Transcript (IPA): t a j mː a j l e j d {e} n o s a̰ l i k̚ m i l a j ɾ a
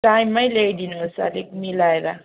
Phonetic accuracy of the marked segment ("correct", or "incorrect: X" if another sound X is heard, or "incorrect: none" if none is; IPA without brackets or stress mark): incorrect: i